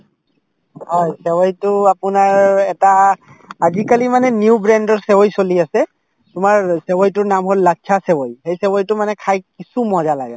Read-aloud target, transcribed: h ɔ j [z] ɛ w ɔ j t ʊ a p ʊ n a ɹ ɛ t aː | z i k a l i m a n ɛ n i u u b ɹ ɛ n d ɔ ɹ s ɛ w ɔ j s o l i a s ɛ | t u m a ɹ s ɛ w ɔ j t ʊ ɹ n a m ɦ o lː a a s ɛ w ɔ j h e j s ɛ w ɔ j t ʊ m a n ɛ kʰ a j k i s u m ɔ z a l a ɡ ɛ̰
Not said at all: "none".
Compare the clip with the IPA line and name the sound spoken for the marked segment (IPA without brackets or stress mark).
s